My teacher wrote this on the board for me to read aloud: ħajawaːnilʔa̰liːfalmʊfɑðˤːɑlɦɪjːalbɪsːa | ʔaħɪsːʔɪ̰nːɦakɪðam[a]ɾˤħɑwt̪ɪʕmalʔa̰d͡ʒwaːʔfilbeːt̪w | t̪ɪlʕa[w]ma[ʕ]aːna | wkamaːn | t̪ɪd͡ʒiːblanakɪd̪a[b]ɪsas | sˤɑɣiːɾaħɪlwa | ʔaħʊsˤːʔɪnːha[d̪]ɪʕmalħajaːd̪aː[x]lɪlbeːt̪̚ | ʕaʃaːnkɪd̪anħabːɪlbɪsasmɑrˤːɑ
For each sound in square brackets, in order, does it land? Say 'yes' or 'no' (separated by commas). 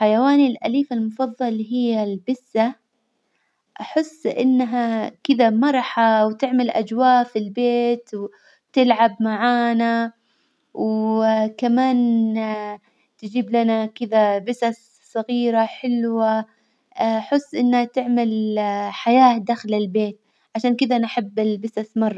no, no, yes, yes, no, yes